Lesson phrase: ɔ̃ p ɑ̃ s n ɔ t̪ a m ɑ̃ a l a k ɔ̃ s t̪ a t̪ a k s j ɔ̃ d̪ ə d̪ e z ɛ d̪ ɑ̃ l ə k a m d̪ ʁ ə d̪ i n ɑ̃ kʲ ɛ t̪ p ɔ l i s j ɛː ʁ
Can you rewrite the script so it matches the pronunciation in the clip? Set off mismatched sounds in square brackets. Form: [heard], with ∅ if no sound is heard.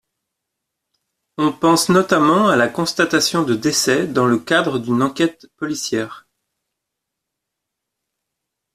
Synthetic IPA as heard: ɔ̃ p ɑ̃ s n ɔ t̪ a m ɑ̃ a l a k ɔ̃ s t̪ a t̪ a [∅] s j ɔ̃ d̪ ə d̪ e [s] ɛ d̪ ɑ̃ l ə k a [∅] d̪ ʁ ə d̪ [y] n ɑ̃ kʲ ɛ t̪ p ɔ l i s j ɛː ʁ

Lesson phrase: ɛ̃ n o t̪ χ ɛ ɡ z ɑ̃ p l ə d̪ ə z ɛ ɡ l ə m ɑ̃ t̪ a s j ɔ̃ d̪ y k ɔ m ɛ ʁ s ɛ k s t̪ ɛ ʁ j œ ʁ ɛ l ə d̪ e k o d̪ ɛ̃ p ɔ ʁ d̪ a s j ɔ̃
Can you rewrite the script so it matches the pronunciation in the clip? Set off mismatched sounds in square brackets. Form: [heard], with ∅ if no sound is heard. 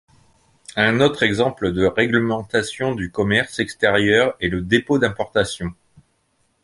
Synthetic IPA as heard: ɛ̃ n o t̪ χ ɛ ɡ z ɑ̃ p l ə d̪ ə [ʁ] ɛ ɡ l ə m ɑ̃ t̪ a s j ɔ̃ d̪ y k ɔ m ɛ ʁ s ɛ k s t̪ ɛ ʁ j œ ʁ ɛ l ə d̪ e [p] o d̪ ɛ̃ p ɔ ʁ [t̪] a s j ɔ̃

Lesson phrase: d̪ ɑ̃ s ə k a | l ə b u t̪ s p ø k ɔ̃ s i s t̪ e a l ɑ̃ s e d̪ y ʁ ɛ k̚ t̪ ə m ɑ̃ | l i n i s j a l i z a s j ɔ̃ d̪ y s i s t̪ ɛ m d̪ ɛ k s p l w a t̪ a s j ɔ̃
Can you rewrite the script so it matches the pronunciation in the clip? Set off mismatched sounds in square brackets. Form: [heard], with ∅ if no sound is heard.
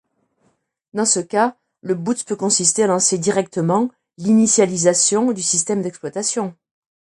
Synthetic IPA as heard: d̪ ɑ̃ s ə k a | l ə b u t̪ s p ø k ɔ̃ s i s t̪ e a l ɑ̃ s e d̪ [i] ʁ ɛ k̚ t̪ ə m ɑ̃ | l i n i s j a l i z a s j ɔ̃ d̪ y s i s t̪ ɛ m d̪ ɛ k s p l w a t̪ a s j ɔ̃

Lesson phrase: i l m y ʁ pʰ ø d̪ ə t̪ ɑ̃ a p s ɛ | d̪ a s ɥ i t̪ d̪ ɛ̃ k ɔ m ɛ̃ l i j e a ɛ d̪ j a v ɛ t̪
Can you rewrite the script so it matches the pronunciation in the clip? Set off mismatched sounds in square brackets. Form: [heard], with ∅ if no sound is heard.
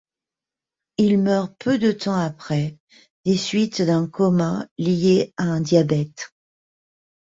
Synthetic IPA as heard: i l m [œ] ʁ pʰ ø d̪ ə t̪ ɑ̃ a p [χ] ɛ | d̪ [e] s ɥ i t̪ d̪ ɛ̃ k ɔ m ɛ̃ l i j e a [ɛ̃] d̪ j a [b] ɛ t̪

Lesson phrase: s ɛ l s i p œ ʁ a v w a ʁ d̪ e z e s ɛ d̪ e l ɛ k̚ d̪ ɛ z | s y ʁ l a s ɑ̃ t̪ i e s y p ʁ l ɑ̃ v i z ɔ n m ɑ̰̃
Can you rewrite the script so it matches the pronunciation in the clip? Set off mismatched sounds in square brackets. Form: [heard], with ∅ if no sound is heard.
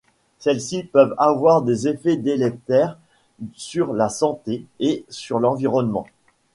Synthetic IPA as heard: s ɛ l s i p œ [v] a v w a ʁ d̪ e z e [f] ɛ d̪ e l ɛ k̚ [t̪] ɛ [ʁ] | s y ʁ l a s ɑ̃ t̪ [e] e s y [∅] ʁ l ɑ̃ v i [ʁ] ɔ n m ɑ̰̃

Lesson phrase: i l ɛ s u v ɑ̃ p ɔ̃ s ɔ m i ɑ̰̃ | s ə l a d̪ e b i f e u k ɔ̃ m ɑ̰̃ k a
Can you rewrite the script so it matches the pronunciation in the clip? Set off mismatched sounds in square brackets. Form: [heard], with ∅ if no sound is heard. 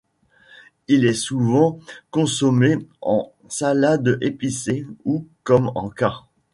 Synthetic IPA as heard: i l ɛ s u v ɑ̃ [k] ɔ̃ s ɔ m [e] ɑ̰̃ | s [a] l a d̪ e [p] i [s] e u k [ɔ] m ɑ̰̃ k a

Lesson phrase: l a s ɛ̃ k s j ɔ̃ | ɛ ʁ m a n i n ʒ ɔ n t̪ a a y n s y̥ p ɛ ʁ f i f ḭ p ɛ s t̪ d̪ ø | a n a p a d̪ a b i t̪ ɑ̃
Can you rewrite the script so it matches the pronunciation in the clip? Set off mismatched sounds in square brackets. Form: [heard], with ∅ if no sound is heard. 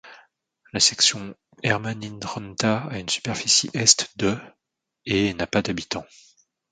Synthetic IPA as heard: l a s [ɛ] k s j ɔ̃ | ɛ ʁ m a n i n [ʁ] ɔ n t̪ a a y n s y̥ p ɛ ʁ f i [s] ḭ [ʔ] ɛ s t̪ d̪ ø | [e] n a p a d̪ a b i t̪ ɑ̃

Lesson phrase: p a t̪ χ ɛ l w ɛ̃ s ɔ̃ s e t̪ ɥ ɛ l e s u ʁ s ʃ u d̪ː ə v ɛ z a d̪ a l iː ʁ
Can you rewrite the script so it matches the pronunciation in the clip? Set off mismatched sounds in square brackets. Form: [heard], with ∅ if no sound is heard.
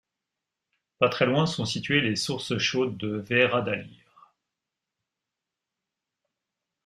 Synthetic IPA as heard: p a t̪ χ ɛ l w ɛ̃ s ɔ̃ s [i] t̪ ɥ [e] l e s u ʁ s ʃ [o] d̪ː ə v ɛ [ʁ] a d̪ a l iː ʁ

